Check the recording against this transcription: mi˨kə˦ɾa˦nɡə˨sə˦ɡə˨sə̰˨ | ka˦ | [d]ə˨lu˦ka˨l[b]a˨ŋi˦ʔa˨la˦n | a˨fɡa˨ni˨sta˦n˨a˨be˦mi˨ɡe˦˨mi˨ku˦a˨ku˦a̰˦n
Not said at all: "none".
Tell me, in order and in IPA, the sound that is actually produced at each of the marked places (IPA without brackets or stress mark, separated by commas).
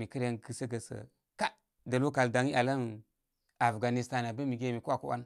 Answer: d, d